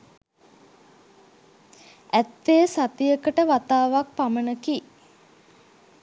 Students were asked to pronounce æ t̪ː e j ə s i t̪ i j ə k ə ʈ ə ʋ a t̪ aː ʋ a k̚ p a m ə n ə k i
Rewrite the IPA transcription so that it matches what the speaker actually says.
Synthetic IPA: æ t̪ː e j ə s a t̪ i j ə k ə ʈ ə ʋ a t̪ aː ʋ a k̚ p a m ə n ə k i